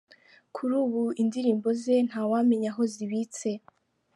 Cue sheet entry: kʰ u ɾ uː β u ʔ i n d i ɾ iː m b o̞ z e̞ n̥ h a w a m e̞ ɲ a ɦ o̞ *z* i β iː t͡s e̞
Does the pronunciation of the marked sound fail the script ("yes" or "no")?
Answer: no